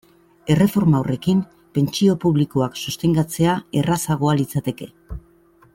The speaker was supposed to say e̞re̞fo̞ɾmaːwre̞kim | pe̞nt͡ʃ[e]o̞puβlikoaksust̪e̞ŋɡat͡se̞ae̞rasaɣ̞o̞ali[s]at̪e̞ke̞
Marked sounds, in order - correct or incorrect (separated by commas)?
incorrect, incorrect